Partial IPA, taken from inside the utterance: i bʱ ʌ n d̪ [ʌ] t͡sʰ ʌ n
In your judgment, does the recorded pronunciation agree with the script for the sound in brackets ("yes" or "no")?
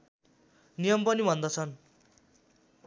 yes